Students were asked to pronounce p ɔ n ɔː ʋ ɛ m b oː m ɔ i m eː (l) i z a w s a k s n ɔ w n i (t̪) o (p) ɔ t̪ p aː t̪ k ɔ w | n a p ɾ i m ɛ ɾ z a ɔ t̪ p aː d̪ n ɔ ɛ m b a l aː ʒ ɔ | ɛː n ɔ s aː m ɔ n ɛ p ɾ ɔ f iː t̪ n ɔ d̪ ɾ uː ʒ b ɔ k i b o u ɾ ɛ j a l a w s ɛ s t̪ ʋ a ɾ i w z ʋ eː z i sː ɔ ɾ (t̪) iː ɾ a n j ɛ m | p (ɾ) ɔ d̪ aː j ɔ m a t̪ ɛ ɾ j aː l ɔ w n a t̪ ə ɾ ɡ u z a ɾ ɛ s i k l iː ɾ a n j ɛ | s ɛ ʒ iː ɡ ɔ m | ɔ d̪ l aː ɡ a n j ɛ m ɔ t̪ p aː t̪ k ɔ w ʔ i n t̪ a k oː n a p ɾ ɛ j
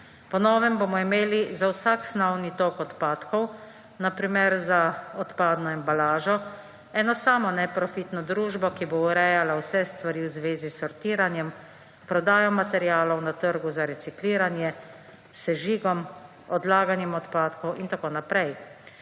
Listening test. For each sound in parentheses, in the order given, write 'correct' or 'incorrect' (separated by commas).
correct, correct, incorrect, correct, correct